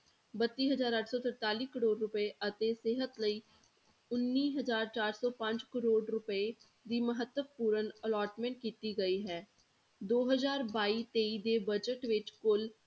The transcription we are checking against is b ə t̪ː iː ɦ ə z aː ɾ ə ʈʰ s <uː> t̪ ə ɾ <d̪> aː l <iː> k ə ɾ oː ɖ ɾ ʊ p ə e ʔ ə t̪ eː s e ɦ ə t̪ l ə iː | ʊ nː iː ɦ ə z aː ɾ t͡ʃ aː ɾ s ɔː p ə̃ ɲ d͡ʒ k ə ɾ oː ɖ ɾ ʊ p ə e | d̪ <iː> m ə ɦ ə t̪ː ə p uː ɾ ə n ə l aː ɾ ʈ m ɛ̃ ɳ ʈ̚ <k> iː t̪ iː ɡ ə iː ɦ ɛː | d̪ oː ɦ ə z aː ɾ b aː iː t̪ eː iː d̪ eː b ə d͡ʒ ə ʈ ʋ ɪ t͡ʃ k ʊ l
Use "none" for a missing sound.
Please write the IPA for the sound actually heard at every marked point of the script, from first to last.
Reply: ɔː, t̪, iː, iː, k

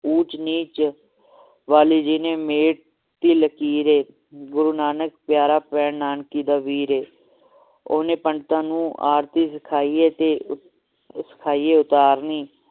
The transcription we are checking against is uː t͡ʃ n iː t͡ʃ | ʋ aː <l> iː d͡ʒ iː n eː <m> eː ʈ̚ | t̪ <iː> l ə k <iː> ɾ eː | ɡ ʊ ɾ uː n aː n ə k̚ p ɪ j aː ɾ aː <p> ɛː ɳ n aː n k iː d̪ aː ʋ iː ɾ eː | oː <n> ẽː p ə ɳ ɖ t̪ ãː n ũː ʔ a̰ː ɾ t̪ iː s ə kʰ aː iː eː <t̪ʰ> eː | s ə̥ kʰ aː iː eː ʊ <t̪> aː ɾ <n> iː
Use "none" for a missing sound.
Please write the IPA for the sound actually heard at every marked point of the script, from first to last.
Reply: l, m, iː, iː, p, n, t̪, t̪, n

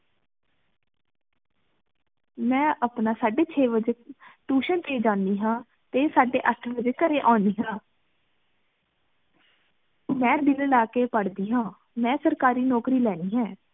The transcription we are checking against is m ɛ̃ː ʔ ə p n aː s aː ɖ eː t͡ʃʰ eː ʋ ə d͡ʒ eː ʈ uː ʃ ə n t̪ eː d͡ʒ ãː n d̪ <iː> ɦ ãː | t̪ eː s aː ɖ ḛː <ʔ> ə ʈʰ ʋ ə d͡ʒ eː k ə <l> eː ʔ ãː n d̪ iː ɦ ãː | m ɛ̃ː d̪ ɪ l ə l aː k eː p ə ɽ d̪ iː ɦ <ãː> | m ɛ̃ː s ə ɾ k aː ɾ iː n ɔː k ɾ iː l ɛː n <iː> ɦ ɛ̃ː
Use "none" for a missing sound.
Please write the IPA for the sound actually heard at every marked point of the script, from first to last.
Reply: iː, ʔ, ɾ, ãː, iː

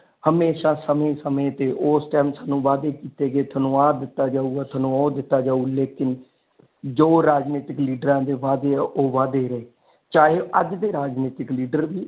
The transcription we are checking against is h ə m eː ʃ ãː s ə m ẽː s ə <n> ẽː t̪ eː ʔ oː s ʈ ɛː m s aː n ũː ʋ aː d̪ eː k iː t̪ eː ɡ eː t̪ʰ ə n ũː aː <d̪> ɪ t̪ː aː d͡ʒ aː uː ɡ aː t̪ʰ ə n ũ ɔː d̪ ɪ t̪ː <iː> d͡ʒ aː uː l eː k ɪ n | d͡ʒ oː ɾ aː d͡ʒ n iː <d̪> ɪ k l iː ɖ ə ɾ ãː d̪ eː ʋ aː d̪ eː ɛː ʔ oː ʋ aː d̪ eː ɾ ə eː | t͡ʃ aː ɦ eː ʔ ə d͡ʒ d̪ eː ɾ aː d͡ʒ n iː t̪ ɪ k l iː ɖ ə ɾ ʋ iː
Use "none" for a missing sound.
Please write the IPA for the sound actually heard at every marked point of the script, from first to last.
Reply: m, d̪, aː, t̪

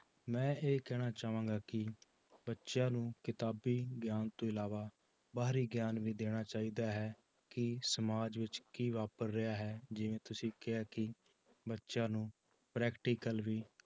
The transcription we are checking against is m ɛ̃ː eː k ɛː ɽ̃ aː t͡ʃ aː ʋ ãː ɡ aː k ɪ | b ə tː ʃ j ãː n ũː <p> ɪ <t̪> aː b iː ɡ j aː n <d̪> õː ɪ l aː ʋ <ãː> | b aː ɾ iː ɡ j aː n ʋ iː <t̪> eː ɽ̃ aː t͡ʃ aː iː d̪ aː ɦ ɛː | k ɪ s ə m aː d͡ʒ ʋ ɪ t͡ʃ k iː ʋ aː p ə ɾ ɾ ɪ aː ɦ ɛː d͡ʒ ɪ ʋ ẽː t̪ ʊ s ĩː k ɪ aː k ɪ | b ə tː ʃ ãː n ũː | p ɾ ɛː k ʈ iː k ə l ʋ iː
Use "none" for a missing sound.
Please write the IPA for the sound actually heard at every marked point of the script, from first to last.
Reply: k, t̪, t̪, aː, d̪

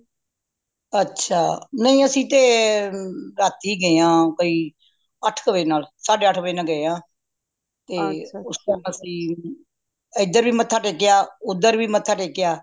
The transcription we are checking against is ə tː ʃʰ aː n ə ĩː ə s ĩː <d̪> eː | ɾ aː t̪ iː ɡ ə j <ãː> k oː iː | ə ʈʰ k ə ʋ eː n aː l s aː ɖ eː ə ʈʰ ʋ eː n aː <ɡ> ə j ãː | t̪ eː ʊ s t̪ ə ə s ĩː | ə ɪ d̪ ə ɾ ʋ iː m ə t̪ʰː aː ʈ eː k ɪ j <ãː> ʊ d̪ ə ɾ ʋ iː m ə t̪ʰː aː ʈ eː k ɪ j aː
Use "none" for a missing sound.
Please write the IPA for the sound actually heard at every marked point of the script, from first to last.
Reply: t̪, ãː, ɡ, aː

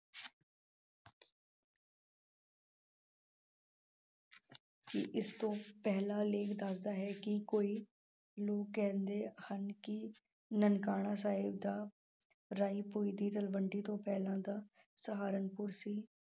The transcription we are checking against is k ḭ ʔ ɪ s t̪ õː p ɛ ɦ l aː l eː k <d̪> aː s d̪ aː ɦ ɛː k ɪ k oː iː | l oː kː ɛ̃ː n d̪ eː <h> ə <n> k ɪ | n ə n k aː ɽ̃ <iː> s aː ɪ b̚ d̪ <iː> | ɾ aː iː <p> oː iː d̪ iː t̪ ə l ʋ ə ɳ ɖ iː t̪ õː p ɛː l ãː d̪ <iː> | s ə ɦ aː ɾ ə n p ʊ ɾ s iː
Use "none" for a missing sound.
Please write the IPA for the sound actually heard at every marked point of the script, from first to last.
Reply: d̪, h, n, aː, aː, p, aː

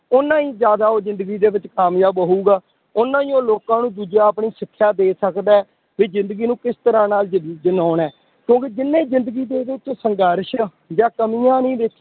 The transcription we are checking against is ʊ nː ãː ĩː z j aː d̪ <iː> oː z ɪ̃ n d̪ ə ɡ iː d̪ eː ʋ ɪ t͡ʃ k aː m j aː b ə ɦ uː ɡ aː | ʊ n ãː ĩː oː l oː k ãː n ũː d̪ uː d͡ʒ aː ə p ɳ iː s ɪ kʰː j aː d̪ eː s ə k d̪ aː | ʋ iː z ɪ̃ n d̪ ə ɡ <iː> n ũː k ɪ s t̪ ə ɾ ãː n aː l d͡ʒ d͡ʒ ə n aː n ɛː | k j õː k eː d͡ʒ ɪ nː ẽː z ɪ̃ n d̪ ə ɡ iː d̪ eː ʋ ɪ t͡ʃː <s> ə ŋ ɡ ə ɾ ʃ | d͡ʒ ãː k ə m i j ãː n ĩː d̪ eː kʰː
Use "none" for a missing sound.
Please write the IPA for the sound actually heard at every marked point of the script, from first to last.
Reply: aː, iː, s

